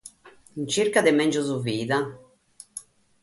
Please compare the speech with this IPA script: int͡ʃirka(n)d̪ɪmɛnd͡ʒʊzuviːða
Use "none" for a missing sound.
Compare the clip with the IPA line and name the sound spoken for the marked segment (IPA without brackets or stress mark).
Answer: none